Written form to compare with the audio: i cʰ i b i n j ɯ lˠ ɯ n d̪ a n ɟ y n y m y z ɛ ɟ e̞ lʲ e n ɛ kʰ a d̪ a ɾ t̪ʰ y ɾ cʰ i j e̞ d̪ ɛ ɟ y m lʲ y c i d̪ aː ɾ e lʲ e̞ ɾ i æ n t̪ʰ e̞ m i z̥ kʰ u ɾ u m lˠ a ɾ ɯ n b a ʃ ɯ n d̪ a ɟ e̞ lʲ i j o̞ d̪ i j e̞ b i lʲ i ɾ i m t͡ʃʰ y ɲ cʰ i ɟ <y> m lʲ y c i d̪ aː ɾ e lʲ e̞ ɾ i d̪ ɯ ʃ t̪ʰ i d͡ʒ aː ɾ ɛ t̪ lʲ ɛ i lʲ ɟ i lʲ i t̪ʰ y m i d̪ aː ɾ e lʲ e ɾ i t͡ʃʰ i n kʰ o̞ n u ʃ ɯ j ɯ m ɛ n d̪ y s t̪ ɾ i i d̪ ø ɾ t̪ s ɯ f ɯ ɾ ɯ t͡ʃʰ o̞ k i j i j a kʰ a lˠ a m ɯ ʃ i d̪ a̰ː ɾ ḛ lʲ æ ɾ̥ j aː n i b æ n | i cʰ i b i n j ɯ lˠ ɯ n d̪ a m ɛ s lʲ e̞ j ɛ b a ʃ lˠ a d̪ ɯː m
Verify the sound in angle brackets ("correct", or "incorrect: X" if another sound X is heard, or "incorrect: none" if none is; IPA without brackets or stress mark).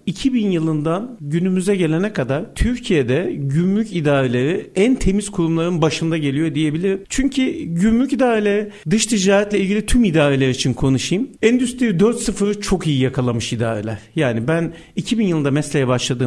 correct